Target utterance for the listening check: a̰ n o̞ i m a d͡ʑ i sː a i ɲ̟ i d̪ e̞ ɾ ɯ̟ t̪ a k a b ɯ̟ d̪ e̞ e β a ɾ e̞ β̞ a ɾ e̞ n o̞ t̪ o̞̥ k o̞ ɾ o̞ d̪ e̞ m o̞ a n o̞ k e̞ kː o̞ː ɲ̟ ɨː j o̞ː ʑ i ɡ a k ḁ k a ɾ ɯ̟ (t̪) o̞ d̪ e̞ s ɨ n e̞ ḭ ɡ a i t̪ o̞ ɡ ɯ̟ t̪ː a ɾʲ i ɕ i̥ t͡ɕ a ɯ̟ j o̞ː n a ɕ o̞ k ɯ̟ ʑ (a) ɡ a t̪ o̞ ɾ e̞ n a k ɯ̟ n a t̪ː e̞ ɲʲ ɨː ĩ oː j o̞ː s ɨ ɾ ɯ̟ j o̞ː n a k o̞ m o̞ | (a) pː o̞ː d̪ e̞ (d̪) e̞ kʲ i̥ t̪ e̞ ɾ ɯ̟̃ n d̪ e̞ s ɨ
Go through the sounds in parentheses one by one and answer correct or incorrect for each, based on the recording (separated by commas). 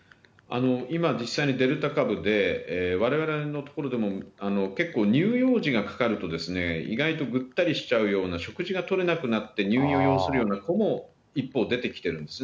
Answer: correct, incorrect, incorrect, incorrect